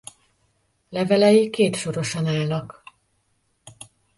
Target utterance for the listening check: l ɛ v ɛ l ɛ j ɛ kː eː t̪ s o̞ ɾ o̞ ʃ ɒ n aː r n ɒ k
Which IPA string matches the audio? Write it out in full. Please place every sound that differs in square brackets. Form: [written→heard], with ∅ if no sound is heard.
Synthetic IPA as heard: l ɛ v ɛ l ɛ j [ɛ→i] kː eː t̪ [s→ʃ] o̞ ɾ o̞ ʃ ɒ n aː [r→l] n ɒ k